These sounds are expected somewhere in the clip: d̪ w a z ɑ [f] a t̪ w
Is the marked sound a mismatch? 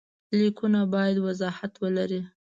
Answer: yes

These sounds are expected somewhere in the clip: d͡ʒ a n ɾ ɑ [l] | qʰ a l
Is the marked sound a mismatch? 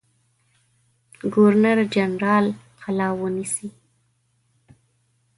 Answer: no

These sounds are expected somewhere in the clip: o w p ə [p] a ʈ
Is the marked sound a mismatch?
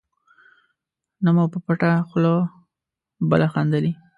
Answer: no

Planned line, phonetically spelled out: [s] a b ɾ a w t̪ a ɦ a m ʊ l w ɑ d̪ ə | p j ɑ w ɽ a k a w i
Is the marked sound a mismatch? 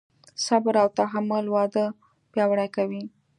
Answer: no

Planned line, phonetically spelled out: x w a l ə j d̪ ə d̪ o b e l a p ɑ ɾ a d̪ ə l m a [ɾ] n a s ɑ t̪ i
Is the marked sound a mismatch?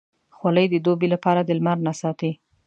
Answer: no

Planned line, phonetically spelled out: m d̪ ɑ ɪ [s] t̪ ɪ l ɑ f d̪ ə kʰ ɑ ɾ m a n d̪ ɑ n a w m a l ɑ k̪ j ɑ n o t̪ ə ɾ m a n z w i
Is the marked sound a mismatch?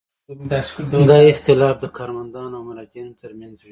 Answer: yes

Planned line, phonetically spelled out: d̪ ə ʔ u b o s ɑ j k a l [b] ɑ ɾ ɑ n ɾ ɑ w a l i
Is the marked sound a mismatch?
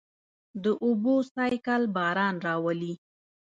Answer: no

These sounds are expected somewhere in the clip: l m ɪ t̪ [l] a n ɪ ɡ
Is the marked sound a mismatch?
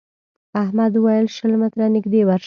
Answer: yes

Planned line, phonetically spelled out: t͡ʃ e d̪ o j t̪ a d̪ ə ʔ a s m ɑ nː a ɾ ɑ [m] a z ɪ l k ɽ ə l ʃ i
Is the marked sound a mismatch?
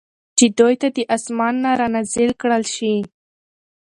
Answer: yes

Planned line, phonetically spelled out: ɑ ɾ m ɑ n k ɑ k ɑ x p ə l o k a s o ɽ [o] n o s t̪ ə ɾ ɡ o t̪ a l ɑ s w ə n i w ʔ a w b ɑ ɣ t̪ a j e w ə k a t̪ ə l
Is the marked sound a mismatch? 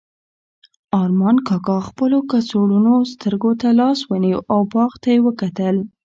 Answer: yes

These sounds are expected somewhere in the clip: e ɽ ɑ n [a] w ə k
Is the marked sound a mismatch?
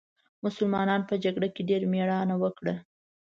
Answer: no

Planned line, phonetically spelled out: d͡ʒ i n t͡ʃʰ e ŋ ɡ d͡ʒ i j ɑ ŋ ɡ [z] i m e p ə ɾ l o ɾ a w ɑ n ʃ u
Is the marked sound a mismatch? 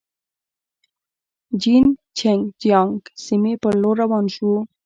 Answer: yes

